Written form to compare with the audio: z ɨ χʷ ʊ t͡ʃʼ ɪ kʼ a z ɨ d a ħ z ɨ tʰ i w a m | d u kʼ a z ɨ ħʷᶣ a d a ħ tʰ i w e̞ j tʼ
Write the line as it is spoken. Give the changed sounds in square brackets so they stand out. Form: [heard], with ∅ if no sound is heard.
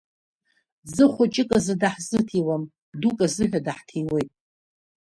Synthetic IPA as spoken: z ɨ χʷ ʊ t͡ʃʼ ɪ kʼ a z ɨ d a ħ z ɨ tʰ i w a m | d u kʼ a z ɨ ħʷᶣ a d a ħ tʰ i w e̞ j tʼ